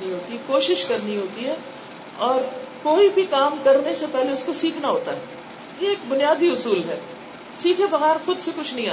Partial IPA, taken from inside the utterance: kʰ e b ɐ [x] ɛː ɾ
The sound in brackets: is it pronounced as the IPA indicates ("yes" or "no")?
no